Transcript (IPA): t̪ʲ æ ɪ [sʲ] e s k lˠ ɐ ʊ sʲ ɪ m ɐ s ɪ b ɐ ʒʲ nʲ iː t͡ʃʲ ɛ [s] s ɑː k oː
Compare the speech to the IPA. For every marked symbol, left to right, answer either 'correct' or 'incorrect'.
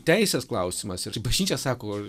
correct, correct

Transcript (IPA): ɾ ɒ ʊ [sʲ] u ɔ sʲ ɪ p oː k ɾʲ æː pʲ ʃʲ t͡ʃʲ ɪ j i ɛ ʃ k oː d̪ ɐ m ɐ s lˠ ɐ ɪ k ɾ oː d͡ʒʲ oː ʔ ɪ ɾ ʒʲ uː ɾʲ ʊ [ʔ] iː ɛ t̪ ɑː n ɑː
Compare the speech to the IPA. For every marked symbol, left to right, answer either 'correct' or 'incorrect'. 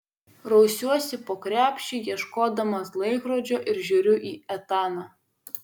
correct, correct

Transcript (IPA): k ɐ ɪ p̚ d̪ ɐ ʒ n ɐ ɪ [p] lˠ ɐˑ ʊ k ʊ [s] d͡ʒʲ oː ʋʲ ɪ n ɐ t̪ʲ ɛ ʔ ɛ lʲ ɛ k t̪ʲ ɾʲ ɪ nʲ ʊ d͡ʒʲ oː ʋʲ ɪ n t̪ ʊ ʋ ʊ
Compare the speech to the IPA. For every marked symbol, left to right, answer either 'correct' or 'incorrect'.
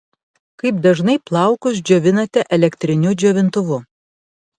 correct, correct

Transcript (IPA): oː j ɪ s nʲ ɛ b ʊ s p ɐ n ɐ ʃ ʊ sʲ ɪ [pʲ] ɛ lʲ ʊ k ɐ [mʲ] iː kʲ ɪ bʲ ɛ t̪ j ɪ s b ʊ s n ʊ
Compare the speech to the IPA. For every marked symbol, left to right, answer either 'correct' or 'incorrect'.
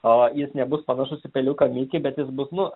correct, correct

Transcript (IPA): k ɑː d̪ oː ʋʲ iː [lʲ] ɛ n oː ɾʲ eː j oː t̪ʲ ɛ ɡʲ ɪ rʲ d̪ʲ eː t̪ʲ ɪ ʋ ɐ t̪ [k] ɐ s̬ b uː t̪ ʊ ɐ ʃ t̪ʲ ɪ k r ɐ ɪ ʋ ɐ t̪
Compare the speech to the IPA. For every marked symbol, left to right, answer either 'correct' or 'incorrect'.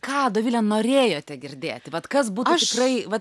correct, correct

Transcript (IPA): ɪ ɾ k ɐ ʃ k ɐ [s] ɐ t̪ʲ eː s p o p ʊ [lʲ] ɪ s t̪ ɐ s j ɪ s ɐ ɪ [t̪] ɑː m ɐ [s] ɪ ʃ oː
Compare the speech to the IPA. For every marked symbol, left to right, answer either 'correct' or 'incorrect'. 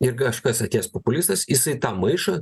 correct, correct, correct, incorrect: none

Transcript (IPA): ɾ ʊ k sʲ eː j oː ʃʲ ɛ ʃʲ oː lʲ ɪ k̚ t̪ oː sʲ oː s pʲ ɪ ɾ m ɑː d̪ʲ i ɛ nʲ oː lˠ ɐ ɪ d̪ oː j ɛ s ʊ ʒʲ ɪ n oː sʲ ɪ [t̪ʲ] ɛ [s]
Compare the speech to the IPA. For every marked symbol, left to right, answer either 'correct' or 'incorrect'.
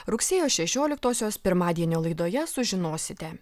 correct, incorrect: none

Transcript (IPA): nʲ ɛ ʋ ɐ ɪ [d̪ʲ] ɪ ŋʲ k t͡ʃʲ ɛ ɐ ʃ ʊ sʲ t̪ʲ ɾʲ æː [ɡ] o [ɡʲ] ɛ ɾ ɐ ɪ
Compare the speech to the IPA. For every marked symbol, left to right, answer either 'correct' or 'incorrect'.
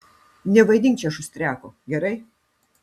correct, incorrect: k, correct

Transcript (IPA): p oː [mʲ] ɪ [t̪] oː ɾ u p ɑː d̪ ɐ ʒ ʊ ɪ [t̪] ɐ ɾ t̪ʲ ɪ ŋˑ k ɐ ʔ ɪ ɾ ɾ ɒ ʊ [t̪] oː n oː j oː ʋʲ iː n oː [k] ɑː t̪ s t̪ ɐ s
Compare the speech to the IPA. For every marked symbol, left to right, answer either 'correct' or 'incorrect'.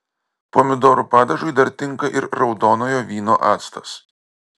correct, incorrect: d̪, incorrect: d̪, incorrect: d̪, incorrect: ʔ

